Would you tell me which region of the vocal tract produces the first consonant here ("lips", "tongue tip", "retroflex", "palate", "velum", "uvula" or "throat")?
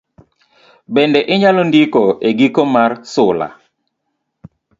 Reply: lips